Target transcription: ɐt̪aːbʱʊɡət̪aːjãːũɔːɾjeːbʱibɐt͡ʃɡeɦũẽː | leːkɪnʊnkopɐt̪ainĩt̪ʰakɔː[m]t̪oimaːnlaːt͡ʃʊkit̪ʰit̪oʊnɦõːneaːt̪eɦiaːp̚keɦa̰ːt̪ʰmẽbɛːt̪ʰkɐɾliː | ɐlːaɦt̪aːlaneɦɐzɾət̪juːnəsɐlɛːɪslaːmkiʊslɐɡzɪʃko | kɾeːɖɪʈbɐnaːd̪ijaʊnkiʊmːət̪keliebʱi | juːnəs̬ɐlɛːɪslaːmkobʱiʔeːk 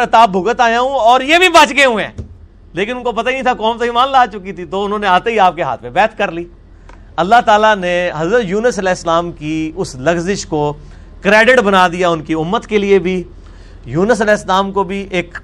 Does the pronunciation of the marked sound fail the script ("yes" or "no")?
no